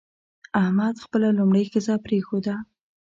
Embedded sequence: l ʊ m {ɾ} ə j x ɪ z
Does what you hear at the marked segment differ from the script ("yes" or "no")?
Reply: yes